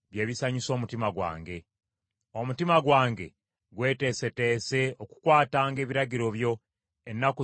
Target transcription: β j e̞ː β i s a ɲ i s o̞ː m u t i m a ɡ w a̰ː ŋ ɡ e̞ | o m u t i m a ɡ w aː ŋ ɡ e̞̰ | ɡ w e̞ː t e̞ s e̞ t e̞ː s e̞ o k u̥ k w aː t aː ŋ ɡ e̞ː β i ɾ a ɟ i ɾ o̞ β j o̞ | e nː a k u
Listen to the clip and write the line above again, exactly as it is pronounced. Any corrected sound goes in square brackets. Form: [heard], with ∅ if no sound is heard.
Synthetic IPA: β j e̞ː β i s a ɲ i s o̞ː m u t i m a ɡ w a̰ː ŋ ɡ e̞ | o m u t i m a ɡ w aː ŋ ɡ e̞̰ | ɡ w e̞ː t e̞ s e̞ t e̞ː s e̞ o k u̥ k w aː t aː ŋ ɡ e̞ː β i ɾ a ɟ i ɾ o̞ β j o̞ | e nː a k u